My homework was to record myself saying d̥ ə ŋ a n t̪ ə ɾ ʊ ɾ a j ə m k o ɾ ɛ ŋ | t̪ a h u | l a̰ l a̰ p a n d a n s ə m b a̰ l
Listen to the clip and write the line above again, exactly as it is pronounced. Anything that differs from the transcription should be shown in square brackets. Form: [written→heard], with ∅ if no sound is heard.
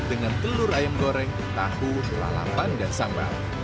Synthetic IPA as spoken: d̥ ə ŋ a n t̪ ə [ɾ→l] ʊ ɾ a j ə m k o ɾ ɛ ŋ | t̪ a h u | l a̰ l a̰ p a n d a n s [ə→a] m b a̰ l

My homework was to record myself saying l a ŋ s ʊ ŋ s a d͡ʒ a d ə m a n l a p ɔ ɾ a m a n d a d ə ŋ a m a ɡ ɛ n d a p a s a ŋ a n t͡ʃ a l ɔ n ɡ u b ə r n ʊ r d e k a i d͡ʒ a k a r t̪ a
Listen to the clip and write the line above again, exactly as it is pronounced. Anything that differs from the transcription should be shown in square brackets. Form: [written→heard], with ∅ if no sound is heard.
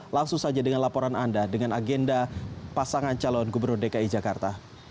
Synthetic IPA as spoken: l a ŋ s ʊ ŋ s a d͡ʒ a d ə [m→ŋ] a n l a p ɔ ɾ a [m→n] a n d a d ə ŋ a [m→n] a ɡ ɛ n d a p a s a ŋ a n t͡ʃ a l ɔ n ɡ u b ə r n ʊ r d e k a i d͡ʒ a k a r t̪ a

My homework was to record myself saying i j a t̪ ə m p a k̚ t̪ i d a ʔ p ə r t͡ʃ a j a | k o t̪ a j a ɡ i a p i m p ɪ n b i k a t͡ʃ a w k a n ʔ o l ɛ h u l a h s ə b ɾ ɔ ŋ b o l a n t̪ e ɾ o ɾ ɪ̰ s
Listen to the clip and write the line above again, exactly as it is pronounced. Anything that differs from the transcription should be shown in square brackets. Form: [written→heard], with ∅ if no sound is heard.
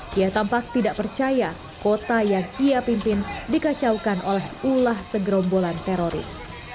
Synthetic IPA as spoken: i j a t̪ [ə→a] m p a k̚ t̪ i d a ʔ p ə r t͡ʃ a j a | k o t̪ a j a [ɡ→ŋ] i a p i m p ɪ n [b→d] i k a t͡ʃ a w k a n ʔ o l ɛ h u l a h s ə [b→ɡ] ɾ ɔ [ŋ→m] b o l a n t̪ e ɾ o ɾ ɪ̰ s

